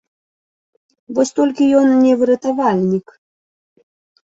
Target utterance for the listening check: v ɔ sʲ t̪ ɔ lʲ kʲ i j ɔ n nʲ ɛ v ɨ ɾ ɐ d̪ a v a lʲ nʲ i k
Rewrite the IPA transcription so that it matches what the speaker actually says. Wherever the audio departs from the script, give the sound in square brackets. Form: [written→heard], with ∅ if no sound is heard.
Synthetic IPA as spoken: v ɔ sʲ t̪ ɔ lʲ kʲ i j ɔ n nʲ ɛ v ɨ ɾ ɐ [d̪→t̪] a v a lʲ nʲ i k

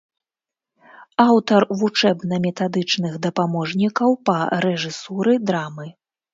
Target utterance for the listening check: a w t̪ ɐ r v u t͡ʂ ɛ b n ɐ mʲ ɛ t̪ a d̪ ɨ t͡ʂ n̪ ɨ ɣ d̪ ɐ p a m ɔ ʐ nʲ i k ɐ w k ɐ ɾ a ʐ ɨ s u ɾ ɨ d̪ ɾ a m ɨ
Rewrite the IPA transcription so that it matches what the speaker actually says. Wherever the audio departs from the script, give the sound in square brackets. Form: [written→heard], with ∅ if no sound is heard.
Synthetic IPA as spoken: a w t̪ ɐ r v u t͡ʂ ɛ b n ɐ mʲ ɛ t̪ a d̪ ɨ t͡ʂ n̪ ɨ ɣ d̪ ɐ p a m ɔ ʐ nʲ i k ɐ w [k→p] ɐ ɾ [a→ɛ] ʐ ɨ s u ɾ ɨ d̪ ɾ a m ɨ

